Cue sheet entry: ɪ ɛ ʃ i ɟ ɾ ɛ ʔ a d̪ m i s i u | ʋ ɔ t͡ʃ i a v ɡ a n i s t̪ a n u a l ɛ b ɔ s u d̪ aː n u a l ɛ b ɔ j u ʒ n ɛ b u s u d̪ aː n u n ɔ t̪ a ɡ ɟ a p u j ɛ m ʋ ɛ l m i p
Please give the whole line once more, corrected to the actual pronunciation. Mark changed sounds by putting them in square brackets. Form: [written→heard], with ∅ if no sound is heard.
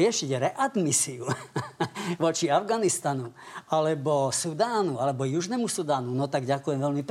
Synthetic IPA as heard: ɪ ɛ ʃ i ɟ ɾ ɛ ʔ a d̪ m i s i u | ʋ ɔ t͡ʃ i a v ɡ a n i s t̪ a n u a l ɛ b ɔ s u d̪ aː n u a l ɛ b ɔ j u ʒ n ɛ [b→m] u s u d̪ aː n u n ɔ t̪ a ɡ ɟ a [p→k] u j ɛ m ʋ ɛ l m i p